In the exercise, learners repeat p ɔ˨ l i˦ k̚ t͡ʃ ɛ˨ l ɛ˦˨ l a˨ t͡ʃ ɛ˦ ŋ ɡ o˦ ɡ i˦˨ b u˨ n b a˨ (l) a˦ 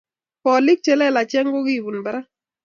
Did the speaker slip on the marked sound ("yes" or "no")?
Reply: yes